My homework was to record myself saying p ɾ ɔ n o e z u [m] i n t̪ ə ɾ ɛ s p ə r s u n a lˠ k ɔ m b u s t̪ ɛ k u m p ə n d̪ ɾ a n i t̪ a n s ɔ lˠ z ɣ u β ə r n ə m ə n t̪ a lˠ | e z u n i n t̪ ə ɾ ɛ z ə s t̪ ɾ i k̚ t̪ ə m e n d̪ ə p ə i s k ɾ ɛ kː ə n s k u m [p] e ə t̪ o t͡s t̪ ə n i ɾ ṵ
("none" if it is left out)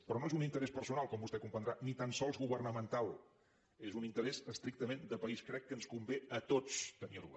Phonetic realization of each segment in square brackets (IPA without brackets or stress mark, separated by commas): n, b